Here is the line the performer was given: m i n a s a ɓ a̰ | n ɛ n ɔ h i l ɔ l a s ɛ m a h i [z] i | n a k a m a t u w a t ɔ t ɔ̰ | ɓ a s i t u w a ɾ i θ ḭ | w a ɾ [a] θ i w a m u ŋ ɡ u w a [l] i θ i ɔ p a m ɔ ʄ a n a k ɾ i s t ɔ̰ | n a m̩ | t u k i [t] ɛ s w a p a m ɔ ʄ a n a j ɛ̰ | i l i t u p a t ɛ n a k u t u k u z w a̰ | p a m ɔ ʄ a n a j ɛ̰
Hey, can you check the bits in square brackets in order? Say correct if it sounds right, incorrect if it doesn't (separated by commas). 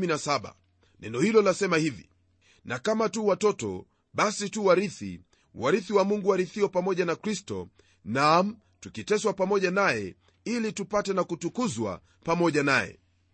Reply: incorrect, incorrect, incorrect, correct